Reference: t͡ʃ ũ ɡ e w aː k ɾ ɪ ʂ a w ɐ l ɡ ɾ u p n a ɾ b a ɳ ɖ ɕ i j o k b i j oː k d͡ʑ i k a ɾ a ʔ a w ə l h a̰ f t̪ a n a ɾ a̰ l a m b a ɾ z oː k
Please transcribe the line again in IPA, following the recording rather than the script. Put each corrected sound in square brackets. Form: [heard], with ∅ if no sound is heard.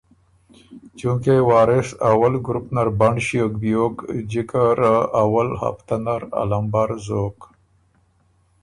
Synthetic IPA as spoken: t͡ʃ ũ [k] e w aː [∅] ɾ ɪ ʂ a w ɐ l ɡ ɾ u p n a ɾ b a ɳ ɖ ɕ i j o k b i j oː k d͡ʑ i k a ɾ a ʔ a w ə l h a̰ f t̪ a n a ɾ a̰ l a m b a ɾ z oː k

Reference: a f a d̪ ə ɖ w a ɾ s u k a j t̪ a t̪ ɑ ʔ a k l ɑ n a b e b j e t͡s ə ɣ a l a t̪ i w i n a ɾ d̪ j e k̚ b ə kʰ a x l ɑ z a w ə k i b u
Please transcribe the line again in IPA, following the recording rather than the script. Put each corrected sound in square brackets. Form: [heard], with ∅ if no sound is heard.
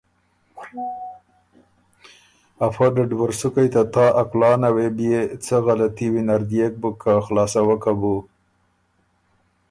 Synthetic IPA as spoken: a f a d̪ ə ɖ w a ɾ s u k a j t̪ a t̪ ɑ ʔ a k l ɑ n a [w] e b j e t͡s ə ɣ a l a t̪ i w i n a ɾ d̪ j e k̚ b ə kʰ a x l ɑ [s] a w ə k [a] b u

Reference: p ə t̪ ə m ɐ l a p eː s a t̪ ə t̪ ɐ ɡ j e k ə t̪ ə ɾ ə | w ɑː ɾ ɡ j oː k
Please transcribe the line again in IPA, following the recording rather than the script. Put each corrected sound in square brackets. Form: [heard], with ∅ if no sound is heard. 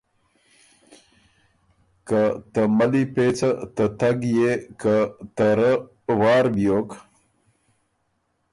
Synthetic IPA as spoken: [k] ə t̪ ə m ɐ l [i] p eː [t͡s] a t̪ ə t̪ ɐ ɡ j e k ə t̪ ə ɾ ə | w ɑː ɾ [b] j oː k

